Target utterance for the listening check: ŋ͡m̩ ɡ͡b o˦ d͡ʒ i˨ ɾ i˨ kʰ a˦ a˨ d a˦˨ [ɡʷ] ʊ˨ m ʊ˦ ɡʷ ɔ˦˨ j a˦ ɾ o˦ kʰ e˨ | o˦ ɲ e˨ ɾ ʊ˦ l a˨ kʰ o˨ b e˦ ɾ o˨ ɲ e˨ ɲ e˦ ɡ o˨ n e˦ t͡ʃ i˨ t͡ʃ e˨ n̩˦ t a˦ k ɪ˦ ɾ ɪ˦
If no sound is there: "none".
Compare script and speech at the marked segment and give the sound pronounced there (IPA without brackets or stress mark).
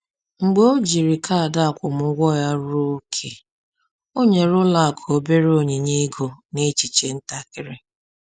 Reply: kʷ